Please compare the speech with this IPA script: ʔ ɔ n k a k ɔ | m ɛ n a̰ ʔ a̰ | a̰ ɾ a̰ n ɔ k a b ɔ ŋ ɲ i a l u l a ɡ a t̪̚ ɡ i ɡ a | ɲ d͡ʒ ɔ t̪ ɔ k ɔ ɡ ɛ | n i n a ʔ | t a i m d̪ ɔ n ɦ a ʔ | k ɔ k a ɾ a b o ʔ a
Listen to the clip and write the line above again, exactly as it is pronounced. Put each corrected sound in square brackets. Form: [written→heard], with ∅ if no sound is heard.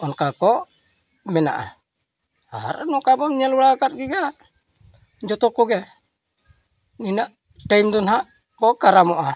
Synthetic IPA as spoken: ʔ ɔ n k a k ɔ | m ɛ n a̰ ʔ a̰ | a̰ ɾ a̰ n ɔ k a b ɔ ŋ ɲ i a l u l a [ɡ→k] a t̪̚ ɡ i ɡ a | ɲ d͡ʒ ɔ t̪ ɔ k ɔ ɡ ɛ | n i n a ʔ | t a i m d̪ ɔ n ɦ a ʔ | k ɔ k a ɾ a [b→m] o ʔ a